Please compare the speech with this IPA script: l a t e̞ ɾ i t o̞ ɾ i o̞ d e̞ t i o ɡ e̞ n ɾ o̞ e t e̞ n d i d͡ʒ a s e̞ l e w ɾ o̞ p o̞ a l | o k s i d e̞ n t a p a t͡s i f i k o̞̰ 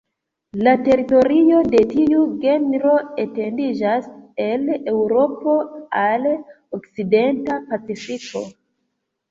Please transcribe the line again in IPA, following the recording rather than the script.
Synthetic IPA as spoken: l a t e̞ ɾ i t o̞ ɾ i o̞ d e̞ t i u ɡ e̞ n ɾ o̞ e t e̞ n d i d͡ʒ a s e̞ l e w ɾ o̞ p o̞ a l | o k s i d e̞ n t a p a t͡s i f i k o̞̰